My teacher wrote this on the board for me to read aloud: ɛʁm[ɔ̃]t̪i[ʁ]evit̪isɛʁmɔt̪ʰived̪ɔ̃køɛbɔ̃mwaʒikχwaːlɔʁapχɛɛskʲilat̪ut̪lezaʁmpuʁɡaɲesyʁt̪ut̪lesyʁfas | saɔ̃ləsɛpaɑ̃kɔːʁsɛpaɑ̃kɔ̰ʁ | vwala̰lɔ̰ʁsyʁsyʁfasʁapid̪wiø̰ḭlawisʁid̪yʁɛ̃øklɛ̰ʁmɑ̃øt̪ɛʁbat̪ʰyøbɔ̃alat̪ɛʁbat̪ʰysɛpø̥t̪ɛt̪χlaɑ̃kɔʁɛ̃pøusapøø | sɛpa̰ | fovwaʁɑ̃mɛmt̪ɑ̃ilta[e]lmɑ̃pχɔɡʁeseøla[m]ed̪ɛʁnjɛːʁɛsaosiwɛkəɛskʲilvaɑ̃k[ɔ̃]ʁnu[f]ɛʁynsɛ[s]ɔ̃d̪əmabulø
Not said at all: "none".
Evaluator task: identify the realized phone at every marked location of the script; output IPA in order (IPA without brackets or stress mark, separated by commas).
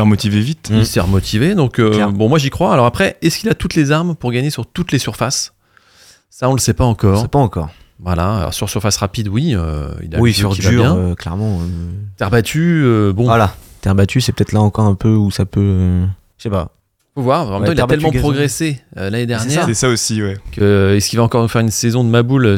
ɔ, v, ɛ, n, ɔ, f, z